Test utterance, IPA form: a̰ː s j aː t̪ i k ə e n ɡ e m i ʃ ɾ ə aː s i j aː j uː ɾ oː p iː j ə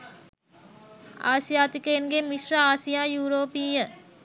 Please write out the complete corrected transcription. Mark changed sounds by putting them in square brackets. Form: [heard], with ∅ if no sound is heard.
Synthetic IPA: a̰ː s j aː t̪ i k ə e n ɡ e m i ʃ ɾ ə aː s i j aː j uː ɾ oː p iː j ə